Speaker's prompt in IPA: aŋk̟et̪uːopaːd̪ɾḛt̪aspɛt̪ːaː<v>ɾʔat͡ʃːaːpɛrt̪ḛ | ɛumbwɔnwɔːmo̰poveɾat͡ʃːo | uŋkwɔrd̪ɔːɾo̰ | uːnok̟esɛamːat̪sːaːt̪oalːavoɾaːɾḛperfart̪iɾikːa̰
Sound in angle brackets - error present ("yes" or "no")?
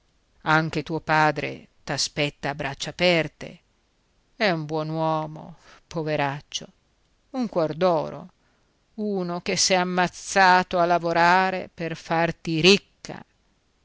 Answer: yes